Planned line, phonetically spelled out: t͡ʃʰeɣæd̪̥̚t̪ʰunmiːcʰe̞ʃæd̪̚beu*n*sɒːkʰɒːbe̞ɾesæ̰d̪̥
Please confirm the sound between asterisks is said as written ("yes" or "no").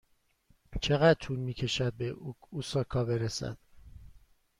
no